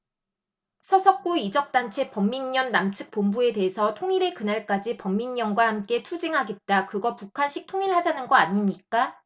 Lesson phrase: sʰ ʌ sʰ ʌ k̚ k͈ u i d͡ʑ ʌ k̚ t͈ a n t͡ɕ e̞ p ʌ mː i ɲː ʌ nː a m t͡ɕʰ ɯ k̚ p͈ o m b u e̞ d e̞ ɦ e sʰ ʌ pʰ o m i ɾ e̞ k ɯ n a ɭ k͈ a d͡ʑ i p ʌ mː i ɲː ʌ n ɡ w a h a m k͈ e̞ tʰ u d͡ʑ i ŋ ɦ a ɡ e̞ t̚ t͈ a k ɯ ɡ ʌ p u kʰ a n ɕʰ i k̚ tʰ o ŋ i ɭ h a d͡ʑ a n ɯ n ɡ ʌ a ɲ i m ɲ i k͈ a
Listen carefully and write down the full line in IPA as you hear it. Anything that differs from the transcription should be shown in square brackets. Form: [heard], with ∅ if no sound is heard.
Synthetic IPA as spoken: sʰ ʌ sʰ ʌ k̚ k͈ u i d͡ʑ ʌ k̚ t͈ a n [t͡ɕʰ] e̞ p ʌ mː i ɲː ʌ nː a m t͡ɕʰ ɯ k̚ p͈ o m b u e̞ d e̞ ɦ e sʰ ʌ [tʰ] o [ŋ] i ɾ e̞ k ɯ n a ɭ k͈ a d͡ʑ i p ʌ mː i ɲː ʌ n ɡ w a h a m k͈ e̞ tʰ u d͡ʑ i ŋ ɦ a ɡ e̞ t̚ t͈ a k ɯ ɡ ʌ p u kʰ a n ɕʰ i k̚ tʰ o ŋ i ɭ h a d͡ʑ a n ɯ n ɡ ʌ a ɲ i m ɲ i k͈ a